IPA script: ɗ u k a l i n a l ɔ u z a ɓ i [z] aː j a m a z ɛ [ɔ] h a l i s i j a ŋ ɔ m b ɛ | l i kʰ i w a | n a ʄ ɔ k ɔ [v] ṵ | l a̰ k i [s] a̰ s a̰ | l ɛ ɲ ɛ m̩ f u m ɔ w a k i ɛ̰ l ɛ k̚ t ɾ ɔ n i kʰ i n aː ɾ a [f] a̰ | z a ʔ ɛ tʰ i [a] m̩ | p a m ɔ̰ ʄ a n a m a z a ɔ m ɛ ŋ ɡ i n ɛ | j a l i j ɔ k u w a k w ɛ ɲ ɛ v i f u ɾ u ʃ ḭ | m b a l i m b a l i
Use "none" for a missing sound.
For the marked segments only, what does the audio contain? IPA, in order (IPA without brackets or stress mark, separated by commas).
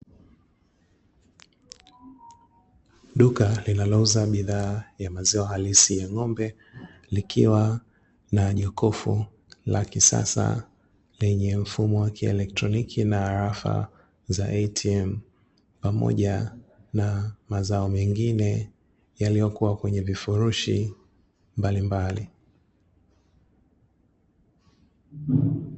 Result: ð, ɔ, f, s, f, ɛ